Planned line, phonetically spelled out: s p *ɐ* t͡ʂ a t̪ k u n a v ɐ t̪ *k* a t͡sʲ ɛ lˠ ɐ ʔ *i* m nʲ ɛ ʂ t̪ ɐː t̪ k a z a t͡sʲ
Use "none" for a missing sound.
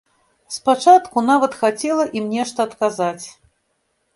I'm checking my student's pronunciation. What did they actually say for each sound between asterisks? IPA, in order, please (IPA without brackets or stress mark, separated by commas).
a, x, i